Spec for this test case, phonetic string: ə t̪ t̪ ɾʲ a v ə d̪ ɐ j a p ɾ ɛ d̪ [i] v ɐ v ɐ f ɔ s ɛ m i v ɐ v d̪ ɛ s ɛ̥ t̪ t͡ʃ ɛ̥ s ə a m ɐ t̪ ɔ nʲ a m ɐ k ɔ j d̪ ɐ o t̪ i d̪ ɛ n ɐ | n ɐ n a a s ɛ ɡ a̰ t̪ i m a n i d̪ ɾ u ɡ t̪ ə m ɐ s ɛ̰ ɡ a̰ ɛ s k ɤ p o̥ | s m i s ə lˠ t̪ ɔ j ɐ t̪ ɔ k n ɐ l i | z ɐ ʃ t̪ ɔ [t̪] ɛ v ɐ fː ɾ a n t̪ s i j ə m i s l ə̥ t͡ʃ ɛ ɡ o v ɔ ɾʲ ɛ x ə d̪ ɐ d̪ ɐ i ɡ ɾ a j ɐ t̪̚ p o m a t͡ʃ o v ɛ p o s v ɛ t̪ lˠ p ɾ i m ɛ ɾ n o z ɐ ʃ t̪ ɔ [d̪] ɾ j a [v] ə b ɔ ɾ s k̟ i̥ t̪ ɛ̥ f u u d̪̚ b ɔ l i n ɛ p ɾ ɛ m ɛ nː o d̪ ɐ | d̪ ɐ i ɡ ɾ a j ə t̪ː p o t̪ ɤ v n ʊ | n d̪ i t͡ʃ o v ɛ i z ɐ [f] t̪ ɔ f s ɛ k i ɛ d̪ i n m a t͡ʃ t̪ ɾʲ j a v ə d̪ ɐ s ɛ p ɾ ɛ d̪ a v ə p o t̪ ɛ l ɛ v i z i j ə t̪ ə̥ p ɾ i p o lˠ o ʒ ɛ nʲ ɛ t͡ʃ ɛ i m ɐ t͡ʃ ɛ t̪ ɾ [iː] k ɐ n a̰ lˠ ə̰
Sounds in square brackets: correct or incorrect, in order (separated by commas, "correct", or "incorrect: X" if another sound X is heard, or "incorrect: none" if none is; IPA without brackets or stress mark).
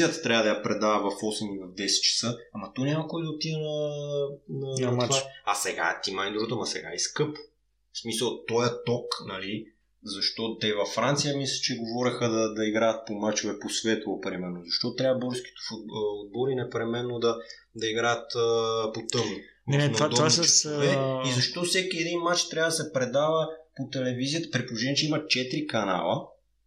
incorrect: a, correct, incorrect: t̪, correct, incorrect: ʃ, incorrect: i